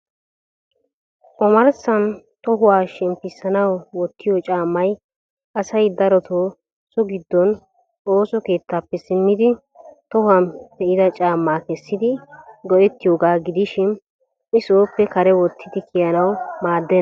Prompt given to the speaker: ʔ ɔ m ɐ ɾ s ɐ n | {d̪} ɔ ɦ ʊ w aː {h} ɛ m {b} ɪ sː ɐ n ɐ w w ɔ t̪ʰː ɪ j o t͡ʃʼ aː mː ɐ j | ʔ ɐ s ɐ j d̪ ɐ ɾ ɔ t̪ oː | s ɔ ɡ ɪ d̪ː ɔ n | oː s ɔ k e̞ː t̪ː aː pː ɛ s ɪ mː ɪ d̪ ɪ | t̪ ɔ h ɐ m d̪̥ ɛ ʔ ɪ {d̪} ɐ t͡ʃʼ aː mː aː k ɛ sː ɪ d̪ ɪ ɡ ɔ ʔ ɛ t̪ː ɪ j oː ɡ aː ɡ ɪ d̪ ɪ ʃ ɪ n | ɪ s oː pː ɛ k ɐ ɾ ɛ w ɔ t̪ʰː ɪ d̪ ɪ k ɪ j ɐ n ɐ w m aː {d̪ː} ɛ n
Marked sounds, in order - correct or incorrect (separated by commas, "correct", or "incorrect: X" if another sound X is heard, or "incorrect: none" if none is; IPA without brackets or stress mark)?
incorrect: t̪, incorrect: ʃ, incorrect: p, correct, correct